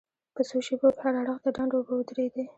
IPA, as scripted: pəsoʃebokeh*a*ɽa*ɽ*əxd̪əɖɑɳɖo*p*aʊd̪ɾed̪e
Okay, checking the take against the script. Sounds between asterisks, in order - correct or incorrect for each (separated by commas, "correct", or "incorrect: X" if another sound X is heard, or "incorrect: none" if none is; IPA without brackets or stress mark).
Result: correct, correct, incorrect: b